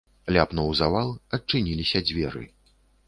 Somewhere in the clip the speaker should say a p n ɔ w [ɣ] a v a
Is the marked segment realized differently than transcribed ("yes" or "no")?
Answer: yes